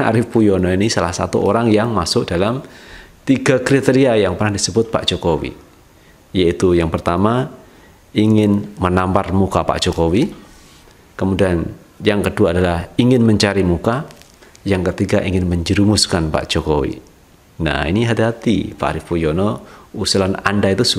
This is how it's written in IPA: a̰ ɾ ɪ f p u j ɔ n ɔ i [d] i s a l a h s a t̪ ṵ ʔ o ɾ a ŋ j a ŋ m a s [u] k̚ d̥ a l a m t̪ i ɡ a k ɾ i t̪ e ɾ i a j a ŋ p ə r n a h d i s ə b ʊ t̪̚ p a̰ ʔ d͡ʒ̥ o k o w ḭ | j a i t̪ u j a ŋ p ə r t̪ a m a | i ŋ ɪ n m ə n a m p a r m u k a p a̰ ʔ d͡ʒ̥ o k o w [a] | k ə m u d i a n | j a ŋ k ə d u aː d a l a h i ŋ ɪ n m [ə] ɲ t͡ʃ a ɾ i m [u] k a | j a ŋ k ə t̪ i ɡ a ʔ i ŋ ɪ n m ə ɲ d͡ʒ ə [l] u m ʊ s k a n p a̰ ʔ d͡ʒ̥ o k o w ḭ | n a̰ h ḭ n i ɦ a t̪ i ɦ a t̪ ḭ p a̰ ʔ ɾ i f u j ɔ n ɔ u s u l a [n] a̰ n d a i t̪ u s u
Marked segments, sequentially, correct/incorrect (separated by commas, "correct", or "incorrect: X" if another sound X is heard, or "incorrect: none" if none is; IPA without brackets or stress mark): incorrect: n, incorrect: ʊ, incorrect: i, correct, correct, incorrect: ɾ, correct